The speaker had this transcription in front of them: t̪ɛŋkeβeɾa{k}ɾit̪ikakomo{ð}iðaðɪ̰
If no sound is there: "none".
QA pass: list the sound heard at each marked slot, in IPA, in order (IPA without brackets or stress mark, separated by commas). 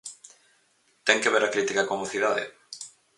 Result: k, θ